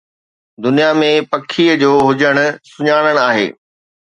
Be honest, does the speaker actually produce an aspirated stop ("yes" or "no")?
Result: yes